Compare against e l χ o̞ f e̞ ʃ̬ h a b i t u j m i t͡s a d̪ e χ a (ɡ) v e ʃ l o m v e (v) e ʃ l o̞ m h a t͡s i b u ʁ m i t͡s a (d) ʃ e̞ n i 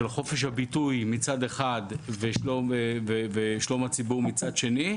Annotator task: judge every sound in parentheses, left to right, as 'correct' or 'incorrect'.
incorrect: d, correct, correct

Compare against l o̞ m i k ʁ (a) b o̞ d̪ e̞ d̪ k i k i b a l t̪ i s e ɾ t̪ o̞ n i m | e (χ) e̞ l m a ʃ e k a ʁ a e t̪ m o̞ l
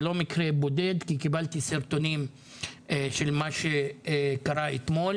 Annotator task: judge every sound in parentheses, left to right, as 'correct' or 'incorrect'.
incorrect: e, incorrect: ʃ

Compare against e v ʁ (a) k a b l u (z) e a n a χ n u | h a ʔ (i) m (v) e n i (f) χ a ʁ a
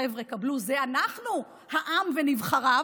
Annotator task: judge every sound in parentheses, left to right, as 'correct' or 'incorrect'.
incorrect: e, correct, incorrect: a, correct, incorrect: v

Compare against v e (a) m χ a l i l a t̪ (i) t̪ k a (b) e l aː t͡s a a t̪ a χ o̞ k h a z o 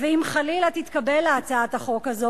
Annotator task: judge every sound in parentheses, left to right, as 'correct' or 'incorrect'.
incorrect: i, correct, correct

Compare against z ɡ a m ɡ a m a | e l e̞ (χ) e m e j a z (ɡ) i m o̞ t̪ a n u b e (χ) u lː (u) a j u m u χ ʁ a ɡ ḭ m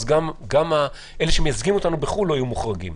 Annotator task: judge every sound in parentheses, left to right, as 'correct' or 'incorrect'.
incorrect: ʃ, correct, correct, incorrect: o

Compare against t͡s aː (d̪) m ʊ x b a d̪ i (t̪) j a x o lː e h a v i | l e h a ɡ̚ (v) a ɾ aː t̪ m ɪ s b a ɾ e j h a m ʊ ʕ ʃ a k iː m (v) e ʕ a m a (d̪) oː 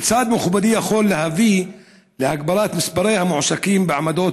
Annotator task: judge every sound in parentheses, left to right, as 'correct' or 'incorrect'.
correct, incorrect: none, incorrect: b, incorrect: b, correct

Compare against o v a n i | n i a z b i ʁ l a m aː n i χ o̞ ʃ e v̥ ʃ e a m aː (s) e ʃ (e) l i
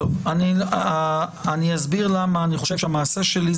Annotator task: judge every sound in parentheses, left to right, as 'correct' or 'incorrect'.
correct, correct

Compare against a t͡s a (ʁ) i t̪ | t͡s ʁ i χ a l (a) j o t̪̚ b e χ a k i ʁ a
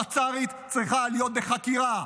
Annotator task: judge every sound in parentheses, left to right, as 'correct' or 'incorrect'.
correct, incorrect: i

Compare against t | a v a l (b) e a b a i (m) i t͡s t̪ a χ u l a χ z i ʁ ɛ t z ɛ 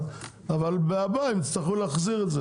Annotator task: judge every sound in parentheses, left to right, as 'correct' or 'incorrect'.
correct, correct

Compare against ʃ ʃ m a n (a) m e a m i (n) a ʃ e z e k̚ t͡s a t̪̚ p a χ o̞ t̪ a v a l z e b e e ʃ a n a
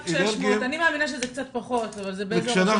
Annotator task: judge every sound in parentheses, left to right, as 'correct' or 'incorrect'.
incorrect: i, correct

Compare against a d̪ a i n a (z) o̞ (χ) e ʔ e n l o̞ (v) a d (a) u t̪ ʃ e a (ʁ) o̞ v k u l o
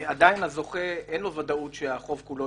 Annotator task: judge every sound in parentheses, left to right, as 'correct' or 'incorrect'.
correct, correct, correct, correct, incorrect: χ

